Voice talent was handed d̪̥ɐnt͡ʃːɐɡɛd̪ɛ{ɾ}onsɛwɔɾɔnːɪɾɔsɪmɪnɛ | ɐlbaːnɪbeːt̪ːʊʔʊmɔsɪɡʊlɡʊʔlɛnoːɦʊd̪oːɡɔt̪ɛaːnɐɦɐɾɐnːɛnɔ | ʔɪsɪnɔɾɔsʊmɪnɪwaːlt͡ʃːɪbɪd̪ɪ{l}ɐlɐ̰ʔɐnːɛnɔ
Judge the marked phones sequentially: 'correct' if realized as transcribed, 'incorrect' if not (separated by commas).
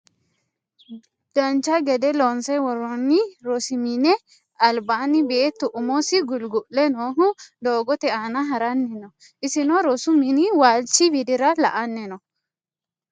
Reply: incorrect, incorrect